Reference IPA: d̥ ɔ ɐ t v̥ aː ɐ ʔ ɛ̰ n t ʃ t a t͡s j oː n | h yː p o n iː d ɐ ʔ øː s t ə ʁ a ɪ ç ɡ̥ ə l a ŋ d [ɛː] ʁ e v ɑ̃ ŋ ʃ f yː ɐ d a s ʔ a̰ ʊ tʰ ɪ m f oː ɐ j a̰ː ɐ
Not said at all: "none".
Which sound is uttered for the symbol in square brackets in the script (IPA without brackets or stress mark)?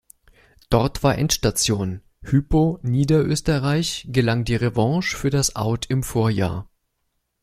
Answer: iː